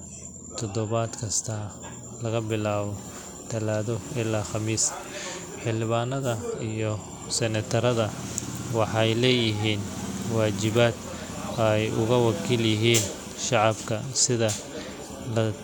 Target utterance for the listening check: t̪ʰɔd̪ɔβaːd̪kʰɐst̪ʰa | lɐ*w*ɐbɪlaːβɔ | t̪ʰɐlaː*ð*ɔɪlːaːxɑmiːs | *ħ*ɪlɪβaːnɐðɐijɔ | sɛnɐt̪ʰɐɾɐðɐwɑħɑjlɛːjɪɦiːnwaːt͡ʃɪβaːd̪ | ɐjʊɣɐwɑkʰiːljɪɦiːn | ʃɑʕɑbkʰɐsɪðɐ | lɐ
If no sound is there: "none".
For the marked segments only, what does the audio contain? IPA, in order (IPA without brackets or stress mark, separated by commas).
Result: ɣ, ð, ħ